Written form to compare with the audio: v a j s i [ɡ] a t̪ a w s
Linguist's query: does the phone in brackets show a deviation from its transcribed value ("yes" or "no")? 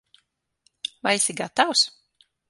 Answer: no